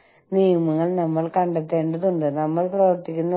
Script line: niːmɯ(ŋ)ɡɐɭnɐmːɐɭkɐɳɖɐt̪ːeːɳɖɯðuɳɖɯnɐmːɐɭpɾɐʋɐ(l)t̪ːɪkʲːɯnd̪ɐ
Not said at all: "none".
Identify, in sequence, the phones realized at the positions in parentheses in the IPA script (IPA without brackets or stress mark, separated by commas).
ŋ, ɾ